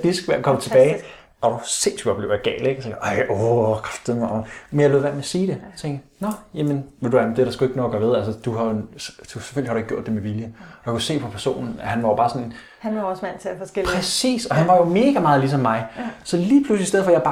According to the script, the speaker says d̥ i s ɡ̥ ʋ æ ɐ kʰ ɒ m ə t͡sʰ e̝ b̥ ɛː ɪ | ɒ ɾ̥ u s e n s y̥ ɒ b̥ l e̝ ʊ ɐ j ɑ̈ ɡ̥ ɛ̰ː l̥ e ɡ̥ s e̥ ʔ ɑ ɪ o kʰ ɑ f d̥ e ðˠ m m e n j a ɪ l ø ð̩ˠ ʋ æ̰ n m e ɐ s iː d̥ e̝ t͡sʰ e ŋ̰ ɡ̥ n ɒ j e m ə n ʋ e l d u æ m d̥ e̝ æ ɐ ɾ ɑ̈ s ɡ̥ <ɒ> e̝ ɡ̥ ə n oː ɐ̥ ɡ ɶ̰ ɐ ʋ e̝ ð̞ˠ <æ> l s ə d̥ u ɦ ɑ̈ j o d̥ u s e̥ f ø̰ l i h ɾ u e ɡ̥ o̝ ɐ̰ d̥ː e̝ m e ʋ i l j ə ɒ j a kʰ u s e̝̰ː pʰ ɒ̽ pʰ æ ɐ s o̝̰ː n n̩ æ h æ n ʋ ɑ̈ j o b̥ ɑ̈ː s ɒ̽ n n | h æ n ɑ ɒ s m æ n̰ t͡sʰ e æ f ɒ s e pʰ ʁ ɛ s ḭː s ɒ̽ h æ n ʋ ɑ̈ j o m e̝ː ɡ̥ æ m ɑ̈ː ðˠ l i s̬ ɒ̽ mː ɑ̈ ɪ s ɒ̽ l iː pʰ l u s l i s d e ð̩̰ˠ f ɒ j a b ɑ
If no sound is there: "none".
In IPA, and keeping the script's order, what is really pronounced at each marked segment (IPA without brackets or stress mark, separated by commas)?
u, æ